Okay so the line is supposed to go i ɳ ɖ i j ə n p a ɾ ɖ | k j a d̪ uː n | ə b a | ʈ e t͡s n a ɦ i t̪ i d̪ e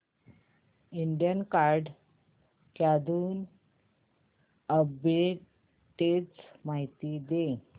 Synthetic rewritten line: i ɳ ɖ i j ə n k a ɾ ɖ | k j a d̪ uː n | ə b e | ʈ e t͡s m a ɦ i t̪ i d̪ e